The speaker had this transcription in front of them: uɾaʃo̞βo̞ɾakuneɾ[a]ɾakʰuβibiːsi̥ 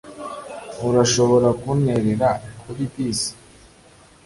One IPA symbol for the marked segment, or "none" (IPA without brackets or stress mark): e